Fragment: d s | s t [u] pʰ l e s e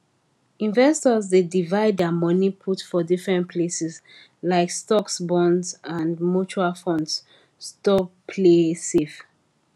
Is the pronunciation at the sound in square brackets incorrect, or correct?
incorrect